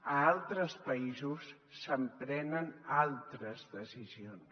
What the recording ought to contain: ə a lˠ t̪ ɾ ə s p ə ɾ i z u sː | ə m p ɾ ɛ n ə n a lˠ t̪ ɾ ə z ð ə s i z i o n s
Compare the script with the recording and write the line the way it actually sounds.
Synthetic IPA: ə a lˠ t̪ ɾ ə s p ə i z u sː | ə m p ɾ ɛ n ə n a lˠ t̪ ɾ ə z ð ə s i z i o n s

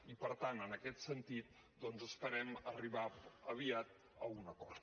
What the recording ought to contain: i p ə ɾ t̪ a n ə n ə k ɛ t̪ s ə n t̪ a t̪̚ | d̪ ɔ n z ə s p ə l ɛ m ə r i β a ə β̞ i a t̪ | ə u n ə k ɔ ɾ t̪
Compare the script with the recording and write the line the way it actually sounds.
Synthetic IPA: i p ə ɾ t̪ a n ə n ə k ɛ t̪ s ə n t̪ i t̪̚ | d̪ ɔ n z ə s p ə ɾ ɛ m ə r i β a ə β̞ i a t̪ | ə u n ə k ɔ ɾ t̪

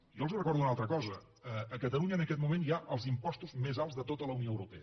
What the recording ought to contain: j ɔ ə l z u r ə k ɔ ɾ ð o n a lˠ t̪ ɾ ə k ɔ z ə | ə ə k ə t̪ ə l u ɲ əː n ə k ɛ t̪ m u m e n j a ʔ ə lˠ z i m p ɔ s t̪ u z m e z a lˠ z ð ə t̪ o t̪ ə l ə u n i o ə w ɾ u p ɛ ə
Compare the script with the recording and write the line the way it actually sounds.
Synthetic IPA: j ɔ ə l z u r ə k ɔ ɾ ð u n a lˠ t̪ ɾ ə k ɔ z ə | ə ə k ə t̪ ə l u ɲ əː n ə k ɛ t̪ m u m e n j a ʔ ə lˠ z i m p ɔ s t̪ u z m e z a lˠ z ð ə t̪ o t̪ ə l ə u n i o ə w ɾ u p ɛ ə

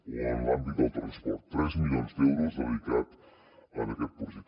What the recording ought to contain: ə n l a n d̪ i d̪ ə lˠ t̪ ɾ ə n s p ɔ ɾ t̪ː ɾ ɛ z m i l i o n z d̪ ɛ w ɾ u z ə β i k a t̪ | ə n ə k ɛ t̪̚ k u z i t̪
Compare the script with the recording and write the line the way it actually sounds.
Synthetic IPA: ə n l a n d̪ i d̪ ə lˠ t̪ ɾ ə n s p ɔ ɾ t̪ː ɾ ɛ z m i l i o n z d̪ ɛ w ɾ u z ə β i k a t̪ | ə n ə k ɛ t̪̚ p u z i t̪

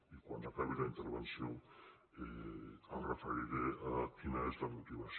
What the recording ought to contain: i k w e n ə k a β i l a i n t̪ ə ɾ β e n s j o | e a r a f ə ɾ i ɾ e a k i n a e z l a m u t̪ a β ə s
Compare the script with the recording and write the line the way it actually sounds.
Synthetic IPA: i k w a n a k a β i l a i n t̪ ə ɾ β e n s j o | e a r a f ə ɾ i ɾ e a k i n a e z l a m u t̪ i β a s

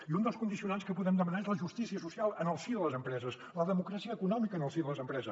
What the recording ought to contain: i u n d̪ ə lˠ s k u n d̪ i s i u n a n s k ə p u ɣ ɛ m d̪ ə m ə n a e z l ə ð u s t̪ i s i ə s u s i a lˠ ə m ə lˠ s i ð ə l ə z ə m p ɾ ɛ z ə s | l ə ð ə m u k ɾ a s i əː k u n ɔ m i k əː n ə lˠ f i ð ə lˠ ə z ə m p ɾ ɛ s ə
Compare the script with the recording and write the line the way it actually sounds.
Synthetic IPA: i u n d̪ ə lˠ s k u n d̪ i s i u n a n s k ə p u ð ɛ m d̪ ə m ə n a e z l ə ʒ u s t̪ i s i ə s u s i a lˠ ə n ə lˠ s i ð ə l ə z ə m p ɾ ɛ z ə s | l ə ð ə m u k ɾ a s i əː k u n ɔ m i k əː n ə lˠ s i ð ə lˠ ə z ə m p ɾ ɛ z ə

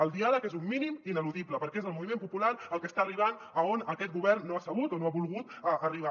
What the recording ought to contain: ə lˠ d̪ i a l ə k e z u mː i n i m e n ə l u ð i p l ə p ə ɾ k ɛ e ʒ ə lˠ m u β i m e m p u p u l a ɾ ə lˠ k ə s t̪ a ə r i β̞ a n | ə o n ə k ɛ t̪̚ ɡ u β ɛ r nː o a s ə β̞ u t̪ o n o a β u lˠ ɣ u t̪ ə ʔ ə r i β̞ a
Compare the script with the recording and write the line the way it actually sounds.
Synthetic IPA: ə lˠ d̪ i a l ə k e z u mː i n i m i n ə l u ð i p l ə p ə ɾ k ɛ e z ə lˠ m u β i m e m p u p u l a ɾ ə lˠ k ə s t̪ a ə r i β̞ a n | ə o n ə k ɛ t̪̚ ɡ u β ɛ r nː o a s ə β̞ u t̪ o n o a β u lˠ ɣ u t̪ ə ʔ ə r i β̞ a

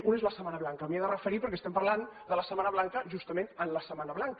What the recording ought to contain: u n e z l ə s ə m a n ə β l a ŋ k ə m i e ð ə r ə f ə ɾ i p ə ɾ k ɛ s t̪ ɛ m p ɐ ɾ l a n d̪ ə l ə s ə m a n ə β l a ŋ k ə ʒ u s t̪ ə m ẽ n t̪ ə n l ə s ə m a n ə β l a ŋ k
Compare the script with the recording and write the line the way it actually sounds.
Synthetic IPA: u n e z l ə s ə m a n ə β l a ŋ k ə m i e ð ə r ə f ə ɾ i p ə ɾ k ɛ s t̪ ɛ m p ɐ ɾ l a n d̪ ə l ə s ə m a n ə β l a ŋ k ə ʒ u s t̪ ə m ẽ n t̪ ə n l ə s ə m a n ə β l a ŋ k

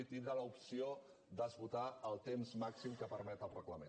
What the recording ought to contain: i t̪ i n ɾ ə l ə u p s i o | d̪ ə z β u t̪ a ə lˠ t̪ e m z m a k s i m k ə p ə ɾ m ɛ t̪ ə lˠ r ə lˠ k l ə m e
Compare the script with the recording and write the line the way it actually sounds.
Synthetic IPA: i t̪ i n ɾ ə l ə u p s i o | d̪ ə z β u t̪ a ə lˠ t̪ e m z m a k s i m k ə p ə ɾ m ɛ t̪ ə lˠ r ə k l ə m e

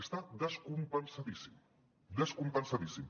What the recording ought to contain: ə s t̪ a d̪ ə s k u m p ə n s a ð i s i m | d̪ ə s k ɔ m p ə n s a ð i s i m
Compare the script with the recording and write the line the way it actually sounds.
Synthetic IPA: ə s t̪ a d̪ ə s k u m p ə n s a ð i s i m | d̪ ə s k u m p ə n s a ð i s i m

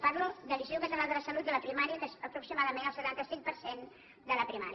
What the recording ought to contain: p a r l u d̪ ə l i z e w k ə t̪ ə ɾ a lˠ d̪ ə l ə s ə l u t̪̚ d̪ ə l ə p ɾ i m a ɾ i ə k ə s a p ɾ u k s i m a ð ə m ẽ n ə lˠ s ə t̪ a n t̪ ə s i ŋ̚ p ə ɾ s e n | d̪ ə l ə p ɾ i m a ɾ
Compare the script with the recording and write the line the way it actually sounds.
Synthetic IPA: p a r l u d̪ ə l i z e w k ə t̪ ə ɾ a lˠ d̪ ə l ə s ə l u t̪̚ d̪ ə l ə p ɾ i m a ɾ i ə k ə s ə p ɾ u k s i m a ð ə m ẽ n ə lˠ s ə t̪ a n t̪ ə s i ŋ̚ p ə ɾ s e n | d̪ ə l ə p ɾ i m a ɾ

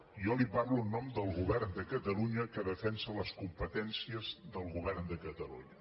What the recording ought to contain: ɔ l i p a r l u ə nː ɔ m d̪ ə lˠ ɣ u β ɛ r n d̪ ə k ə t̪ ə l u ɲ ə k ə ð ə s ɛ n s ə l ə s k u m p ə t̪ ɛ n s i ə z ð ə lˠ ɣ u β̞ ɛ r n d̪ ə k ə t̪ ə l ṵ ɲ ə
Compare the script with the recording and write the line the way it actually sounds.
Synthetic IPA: ɔ l i p a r l u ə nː ɔ m d̪ ə lˠ ɣ u β ɛ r n d̪ ə k ə t̪ ə l u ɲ ə k ə ð ə f ɛ n s ə l ə s k u m p ə t̪ ɛ n s i ə z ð ə lˠ ɣ u β̞ ɛ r n d̪ ə k ə t̪ ə l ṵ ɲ ə

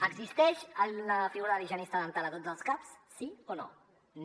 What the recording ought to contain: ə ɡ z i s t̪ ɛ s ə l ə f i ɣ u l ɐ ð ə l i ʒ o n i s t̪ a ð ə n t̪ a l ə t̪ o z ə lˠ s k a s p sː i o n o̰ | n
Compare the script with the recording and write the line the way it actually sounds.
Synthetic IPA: ə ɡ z i s t̪ ɛ ʃ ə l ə f i ɣ u ɾ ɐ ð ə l i ʒ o n i s t̪ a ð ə n t̪ a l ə t̪ o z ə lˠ s k a p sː i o n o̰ | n

